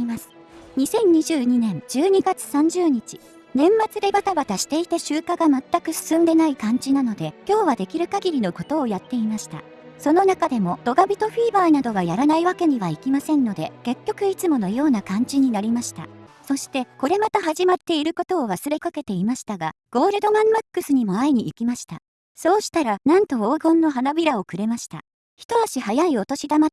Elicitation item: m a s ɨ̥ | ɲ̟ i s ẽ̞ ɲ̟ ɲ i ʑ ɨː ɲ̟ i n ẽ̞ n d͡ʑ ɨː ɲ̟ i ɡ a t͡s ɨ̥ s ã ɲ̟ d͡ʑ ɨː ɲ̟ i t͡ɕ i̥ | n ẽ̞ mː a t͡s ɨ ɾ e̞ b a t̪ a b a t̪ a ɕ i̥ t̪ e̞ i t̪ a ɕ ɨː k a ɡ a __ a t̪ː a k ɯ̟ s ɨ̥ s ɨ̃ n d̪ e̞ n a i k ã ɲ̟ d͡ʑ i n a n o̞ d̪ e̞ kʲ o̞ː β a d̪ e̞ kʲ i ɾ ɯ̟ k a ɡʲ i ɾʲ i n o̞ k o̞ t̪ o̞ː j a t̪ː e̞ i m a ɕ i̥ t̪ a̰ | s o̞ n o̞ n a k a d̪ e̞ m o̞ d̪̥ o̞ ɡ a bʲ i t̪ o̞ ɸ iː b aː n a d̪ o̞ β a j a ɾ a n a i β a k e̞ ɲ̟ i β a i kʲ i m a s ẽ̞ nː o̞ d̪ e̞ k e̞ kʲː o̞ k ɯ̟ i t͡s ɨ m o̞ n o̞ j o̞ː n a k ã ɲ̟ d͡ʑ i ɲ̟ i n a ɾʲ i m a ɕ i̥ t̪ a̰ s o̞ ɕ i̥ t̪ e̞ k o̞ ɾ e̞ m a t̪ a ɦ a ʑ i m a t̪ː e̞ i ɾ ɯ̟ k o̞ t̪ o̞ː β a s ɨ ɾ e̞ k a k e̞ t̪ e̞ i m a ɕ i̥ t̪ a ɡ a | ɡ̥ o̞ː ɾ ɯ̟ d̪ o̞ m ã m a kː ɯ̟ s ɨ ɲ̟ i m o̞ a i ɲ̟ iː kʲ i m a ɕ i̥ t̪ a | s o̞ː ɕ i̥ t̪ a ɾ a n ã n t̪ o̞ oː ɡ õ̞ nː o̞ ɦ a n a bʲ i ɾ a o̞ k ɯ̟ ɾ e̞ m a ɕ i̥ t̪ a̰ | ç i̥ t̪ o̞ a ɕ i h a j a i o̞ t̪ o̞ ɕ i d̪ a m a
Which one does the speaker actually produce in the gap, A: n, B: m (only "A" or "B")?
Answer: B